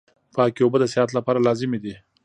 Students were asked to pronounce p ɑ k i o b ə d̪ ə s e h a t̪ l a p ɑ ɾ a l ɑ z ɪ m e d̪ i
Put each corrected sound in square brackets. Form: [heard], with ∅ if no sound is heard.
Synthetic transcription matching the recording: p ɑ k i o b ə d̪ ə s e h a t̪ l a p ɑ ɾ a l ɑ z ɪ m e d̪ i